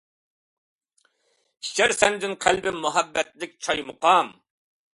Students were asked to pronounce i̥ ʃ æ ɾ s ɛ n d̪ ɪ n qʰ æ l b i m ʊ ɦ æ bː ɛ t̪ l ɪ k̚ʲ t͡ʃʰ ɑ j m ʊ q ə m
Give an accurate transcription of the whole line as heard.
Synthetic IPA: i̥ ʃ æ ɾ s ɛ n d̪ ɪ n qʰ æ l b ɪ m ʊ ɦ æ bː ɛ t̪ l ɪ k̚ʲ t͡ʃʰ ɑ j m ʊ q ɑ m